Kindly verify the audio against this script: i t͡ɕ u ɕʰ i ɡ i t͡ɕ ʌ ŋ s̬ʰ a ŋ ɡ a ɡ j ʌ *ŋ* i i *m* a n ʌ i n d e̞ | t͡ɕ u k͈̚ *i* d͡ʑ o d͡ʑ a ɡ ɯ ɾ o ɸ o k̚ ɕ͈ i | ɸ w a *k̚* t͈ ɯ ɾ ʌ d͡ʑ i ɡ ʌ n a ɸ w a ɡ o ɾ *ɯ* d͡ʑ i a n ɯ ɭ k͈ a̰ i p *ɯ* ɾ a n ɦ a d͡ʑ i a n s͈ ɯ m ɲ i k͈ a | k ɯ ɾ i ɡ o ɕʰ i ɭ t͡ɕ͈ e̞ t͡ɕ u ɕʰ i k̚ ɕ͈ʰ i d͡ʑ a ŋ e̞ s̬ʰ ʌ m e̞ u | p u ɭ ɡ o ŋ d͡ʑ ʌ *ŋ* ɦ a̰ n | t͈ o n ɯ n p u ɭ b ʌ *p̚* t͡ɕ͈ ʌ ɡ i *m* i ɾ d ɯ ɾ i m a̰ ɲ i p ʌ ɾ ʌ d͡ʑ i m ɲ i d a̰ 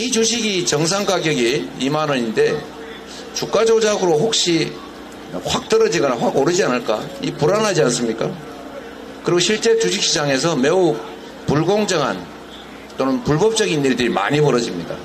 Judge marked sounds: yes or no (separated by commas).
no, yes, no, yes, yes, no, yes, yes, no